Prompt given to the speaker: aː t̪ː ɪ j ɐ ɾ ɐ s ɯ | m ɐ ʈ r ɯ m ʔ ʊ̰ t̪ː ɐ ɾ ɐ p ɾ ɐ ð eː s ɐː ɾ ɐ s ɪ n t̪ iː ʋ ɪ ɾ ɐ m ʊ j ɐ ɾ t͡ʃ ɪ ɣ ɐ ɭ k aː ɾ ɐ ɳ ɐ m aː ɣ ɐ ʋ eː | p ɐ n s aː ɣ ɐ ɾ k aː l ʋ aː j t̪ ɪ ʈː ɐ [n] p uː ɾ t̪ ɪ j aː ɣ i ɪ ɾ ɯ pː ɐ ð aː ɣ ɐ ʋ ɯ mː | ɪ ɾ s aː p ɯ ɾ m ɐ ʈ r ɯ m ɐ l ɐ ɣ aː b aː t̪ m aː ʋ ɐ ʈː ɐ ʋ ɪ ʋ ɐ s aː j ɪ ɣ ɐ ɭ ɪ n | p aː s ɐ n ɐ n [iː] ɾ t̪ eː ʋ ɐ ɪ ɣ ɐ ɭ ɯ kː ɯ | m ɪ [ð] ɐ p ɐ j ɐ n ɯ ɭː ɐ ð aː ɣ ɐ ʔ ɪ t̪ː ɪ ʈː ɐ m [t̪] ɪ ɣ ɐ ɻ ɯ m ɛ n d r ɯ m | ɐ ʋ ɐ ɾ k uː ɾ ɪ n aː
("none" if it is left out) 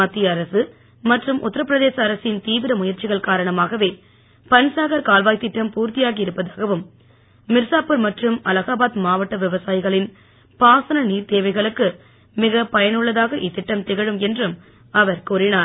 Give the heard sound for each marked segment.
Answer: m, iː, ɣ, t̪

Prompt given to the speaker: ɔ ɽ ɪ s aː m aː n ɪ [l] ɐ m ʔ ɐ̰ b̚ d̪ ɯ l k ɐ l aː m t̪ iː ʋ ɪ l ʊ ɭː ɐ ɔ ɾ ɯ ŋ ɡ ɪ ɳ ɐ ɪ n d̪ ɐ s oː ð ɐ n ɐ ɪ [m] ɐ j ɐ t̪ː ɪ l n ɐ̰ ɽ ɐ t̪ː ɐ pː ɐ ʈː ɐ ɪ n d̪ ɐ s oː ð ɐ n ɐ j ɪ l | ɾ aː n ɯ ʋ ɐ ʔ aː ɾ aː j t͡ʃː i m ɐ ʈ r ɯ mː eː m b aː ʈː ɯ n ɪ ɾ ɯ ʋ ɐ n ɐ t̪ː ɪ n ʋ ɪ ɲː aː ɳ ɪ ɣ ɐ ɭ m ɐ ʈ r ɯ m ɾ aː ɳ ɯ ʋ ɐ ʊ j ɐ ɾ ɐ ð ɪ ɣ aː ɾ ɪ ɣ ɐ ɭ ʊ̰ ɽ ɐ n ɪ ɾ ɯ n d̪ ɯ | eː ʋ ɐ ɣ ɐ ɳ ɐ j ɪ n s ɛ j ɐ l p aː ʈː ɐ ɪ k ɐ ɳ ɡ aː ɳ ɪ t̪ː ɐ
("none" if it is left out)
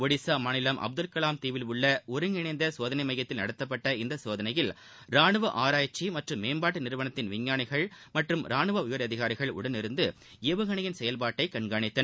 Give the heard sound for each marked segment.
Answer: l, m

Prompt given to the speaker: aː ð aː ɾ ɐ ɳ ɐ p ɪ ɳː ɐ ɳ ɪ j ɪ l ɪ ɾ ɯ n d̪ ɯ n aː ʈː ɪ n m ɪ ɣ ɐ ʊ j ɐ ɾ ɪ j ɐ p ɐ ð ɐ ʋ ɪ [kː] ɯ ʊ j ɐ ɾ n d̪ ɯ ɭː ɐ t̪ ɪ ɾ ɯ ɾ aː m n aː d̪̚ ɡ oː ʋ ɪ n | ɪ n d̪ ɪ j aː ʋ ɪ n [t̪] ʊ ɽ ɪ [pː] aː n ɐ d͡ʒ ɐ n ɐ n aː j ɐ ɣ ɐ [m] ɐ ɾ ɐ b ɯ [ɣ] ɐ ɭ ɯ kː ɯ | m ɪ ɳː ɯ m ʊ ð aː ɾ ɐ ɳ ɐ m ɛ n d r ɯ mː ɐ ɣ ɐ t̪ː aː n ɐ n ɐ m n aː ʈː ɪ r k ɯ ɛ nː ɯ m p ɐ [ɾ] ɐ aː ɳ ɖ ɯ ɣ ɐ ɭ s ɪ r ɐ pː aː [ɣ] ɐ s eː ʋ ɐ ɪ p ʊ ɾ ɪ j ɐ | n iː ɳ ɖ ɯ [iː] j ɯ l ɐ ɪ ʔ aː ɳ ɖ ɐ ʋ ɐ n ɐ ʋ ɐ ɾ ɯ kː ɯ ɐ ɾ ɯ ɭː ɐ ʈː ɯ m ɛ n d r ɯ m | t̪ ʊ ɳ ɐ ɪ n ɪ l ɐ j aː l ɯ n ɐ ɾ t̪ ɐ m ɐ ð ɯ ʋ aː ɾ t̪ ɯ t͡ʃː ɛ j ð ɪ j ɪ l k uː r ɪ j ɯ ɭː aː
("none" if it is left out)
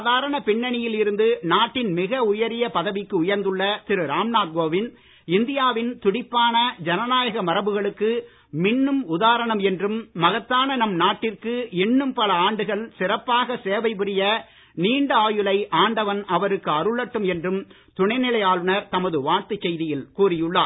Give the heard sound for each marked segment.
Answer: kː, t̪, pː, m, ɣ, l, ɣ, aː

